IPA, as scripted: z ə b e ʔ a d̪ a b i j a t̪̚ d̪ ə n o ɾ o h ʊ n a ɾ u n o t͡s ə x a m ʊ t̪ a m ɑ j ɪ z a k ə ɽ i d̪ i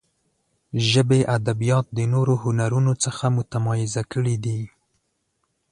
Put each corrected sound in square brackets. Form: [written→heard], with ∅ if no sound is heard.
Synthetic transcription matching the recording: [z→ʒ] ə b e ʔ a d̪ a b i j [a→ɑ] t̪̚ d̪ ə n o ɾ o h ʊ n a ɾ u n o t͡s ə x a m ʊ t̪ a m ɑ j ɪ z a k ə ɽ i d̪ i